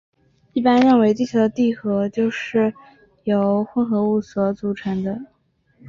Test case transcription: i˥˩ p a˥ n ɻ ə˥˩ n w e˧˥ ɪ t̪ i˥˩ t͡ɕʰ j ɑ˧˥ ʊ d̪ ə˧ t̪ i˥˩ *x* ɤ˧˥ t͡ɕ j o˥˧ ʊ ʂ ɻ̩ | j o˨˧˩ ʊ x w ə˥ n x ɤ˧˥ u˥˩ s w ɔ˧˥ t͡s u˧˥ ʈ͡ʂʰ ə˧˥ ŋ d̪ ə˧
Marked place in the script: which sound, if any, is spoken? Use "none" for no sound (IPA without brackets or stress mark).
x